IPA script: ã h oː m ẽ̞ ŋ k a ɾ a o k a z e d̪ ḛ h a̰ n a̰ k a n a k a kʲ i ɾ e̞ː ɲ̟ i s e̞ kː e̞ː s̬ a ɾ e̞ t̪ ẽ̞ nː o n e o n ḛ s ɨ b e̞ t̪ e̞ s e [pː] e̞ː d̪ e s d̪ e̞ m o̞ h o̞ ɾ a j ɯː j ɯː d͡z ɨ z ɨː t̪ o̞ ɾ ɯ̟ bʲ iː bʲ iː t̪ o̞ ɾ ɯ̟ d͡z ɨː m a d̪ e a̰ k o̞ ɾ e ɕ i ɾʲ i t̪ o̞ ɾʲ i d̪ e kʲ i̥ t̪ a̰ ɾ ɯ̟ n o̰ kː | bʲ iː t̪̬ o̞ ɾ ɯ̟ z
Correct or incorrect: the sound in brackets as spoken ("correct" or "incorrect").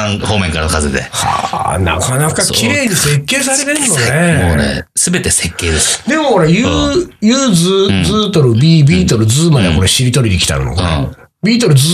incorrect